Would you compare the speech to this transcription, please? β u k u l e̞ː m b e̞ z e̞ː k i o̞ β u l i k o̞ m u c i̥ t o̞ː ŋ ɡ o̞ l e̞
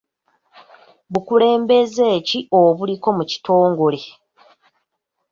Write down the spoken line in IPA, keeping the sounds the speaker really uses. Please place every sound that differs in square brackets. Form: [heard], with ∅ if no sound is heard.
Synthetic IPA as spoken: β u k u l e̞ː m b e̞ z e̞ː [c] i o̞ β u l i k o̞ m u c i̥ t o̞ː ŋ ɡ o̞ l e̞

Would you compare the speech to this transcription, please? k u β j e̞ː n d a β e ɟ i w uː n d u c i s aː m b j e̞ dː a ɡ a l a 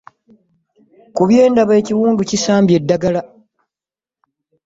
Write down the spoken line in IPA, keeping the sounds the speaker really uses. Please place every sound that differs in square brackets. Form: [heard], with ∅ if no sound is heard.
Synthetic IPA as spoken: k u β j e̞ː n d a β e [c] i w uː n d u c i s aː m b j e̞ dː a ɡ a l a

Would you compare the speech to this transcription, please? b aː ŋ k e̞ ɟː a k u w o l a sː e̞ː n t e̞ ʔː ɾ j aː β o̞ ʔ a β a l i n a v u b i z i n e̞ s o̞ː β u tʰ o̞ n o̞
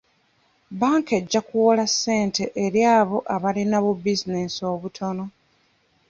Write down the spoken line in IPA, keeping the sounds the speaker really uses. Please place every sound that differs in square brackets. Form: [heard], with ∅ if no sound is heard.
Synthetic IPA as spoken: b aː ŋ k e̞ ɟː a k u w o l a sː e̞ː n t e̞ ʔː ɾ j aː β o̞ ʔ a β a l i n a [β] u b i z i n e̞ s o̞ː β u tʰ o̞ n o̞

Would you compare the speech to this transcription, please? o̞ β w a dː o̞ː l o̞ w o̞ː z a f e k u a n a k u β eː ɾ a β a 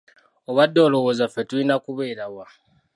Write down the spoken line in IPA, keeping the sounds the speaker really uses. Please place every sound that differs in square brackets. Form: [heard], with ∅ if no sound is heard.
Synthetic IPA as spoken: o̞ β w a dː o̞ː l o̞ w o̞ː z a f e [t] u [i] n a k u β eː ɾ a [w] a

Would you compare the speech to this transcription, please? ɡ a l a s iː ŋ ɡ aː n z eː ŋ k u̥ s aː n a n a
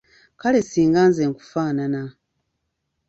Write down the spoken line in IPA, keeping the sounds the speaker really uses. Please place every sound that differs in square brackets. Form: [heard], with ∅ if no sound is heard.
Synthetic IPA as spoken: [k] a l [e] s iː ŋ ɡ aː n z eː ŋ k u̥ [f] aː n a n a

